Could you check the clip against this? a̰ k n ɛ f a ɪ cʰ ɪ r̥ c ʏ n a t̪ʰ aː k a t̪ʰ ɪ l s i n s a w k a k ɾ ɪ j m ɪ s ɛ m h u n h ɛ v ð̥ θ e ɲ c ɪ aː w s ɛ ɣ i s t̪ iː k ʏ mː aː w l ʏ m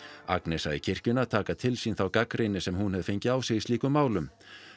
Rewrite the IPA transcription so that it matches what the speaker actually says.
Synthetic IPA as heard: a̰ k n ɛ s a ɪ cʰ ɪ r̥ c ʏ n a t̪ʰ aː k a t̪ʰ ɪ l s i n θ a w k a k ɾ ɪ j n ɪ s ɛ m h u n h ɛ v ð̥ f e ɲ c ɪ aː w s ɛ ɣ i s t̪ iː k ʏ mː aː w l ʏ m